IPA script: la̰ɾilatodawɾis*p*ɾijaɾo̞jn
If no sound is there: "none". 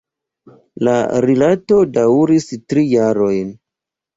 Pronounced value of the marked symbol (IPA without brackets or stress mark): t